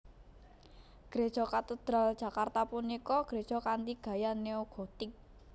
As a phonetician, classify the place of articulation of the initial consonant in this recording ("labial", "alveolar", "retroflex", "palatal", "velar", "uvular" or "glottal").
velar